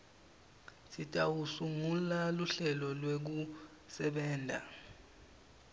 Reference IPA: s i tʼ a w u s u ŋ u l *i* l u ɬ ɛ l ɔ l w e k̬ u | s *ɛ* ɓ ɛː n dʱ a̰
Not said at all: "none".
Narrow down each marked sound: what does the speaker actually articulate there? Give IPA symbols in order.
a, ɛ

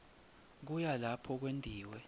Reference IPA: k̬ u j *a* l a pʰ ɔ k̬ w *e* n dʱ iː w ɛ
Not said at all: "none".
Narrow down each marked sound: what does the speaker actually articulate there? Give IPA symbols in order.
a, e

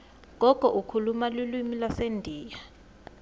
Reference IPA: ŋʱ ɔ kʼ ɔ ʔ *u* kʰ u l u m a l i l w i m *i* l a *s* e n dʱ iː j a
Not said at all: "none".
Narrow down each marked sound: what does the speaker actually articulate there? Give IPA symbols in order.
u, i, s

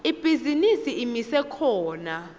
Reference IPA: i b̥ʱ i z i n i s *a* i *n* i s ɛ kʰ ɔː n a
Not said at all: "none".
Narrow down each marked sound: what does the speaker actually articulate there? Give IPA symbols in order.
i, m

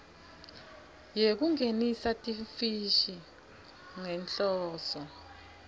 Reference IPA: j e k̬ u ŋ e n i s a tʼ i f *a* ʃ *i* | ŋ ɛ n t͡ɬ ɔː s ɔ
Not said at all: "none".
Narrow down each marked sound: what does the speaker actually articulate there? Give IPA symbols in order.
i, i

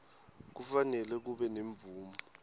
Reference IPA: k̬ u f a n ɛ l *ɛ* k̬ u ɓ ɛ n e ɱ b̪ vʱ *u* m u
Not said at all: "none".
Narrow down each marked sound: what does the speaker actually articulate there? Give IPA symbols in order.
ɛ, uː

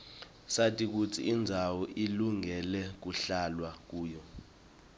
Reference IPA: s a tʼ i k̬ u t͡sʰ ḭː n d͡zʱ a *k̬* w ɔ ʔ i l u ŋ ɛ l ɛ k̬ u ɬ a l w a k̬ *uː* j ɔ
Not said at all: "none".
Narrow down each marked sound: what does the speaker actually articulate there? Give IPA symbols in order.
none, uː

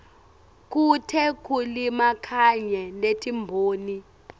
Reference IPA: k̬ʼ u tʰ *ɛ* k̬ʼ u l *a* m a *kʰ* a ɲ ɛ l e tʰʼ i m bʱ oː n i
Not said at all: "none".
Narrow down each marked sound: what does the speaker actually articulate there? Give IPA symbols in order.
ɛ, i, kʰ

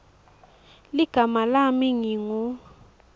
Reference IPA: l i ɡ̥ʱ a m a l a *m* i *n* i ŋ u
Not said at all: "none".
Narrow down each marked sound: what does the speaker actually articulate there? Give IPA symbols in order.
m, ŋ

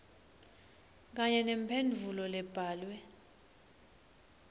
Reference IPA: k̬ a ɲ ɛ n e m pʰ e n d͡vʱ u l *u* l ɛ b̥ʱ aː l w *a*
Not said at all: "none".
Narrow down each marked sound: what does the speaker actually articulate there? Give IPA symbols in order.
ɔ, ɛ

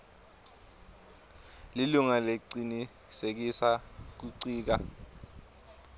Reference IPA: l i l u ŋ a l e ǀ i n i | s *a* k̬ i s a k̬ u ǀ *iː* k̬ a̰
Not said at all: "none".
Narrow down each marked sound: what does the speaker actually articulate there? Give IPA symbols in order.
e, iː

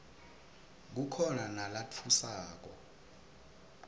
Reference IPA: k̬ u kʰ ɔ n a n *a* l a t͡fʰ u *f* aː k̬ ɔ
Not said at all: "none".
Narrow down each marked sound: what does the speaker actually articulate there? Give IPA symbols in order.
a, s

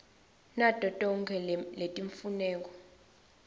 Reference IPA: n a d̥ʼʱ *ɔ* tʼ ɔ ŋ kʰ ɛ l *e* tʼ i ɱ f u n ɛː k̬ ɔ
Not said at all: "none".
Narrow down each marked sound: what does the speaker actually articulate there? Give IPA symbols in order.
ɔ, e

